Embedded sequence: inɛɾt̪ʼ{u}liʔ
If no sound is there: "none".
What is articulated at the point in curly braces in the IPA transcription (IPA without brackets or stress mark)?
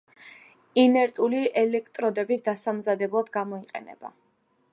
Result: u